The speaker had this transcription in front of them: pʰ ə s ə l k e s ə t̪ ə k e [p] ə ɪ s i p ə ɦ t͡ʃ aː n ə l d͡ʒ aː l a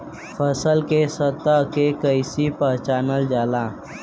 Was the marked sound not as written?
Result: yes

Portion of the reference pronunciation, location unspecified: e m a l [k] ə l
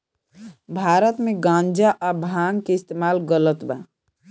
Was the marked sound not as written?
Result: yes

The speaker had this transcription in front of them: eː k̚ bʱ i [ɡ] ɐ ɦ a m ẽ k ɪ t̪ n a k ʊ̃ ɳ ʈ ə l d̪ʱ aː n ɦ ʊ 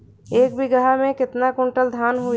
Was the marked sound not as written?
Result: no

